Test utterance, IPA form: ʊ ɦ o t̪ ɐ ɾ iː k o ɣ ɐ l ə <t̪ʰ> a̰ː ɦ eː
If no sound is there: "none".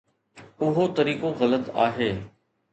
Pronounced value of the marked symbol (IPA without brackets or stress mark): t̪